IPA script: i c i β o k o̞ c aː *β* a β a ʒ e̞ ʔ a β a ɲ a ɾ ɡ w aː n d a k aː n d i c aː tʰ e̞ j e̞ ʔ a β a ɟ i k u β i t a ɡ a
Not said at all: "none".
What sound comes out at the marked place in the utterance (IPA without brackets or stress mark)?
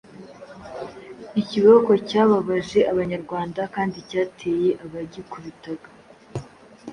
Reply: β